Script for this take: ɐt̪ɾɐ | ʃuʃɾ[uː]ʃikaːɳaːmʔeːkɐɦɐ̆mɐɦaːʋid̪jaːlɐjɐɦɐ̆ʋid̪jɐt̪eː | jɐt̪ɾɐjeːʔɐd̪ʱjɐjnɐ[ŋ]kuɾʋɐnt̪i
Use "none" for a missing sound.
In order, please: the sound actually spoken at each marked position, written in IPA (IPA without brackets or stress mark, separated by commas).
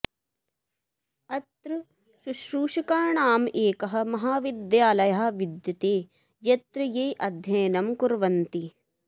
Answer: uː, m